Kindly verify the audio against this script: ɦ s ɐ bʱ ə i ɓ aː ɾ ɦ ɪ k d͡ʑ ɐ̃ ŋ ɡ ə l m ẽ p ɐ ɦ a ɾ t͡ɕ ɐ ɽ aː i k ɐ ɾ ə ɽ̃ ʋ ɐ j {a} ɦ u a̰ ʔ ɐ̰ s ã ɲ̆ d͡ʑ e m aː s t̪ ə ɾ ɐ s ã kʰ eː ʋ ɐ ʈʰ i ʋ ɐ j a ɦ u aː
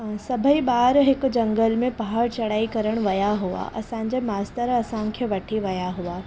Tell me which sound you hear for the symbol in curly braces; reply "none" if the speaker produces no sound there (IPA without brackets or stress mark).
a